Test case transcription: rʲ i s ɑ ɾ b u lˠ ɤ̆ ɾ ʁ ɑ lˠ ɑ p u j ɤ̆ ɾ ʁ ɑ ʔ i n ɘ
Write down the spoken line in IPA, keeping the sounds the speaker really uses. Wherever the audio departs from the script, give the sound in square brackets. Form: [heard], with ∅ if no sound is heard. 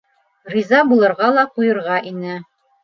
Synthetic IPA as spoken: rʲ i [z] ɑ [∅] b u lˠ ɤ̆ ɾ ʁ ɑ lˠ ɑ [q] u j ɤ̆ ɾ ʁ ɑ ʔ i n ɘ